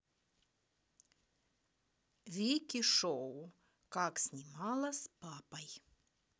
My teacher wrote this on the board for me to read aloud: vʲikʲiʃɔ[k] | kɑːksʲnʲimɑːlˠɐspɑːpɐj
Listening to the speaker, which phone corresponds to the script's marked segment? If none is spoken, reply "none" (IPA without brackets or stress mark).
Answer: none